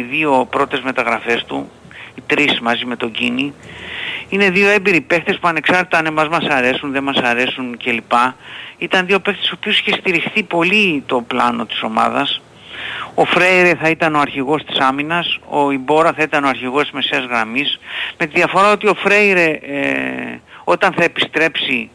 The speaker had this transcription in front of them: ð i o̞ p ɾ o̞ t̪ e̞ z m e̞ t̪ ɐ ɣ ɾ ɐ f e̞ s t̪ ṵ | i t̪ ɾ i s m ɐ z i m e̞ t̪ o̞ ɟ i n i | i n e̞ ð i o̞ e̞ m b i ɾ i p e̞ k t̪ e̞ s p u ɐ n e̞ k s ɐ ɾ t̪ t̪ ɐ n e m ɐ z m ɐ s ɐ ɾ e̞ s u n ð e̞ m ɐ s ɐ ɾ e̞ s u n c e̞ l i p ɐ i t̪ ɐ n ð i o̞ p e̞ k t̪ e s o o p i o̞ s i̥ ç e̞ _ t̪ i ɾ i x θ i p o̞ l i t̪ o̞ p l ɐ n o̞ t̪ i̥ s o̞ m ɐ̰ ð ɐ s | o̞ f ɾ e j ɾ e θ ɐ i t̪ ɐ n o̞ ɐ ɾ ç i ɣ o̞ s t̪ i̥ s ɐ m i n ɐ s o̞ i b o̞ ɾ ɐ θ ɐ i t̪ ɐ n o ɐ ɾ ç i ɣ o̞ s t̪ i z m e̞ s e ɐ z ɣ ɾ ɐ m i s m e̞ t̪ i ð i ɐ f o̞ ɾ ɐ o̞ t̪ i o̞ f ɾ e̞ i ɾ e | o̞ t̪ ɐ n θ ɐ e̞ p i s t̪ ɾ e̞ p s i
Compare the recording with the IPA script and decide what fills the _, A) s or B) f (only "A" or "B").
A